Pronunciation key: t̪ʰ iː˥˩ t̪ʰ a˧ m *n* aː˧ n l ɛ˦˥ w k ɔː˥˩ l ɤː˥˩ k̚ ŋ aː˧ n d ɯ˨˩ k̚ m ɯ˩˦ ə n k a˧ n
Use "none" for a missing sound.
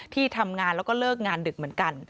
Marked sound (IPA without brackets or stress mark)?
ŋ